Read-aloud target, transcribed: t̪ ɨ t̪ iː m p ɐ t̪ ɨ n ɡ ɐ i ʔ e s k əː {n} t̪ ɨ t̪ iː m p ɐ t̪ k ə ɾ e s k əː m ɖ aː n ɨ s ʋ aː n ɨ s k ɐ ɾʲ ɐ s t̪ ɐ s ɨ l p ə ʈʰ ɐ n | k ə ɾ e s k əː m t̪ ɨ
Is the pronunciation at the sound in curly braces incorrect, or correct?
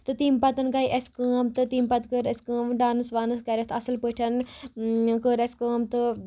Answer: incorrect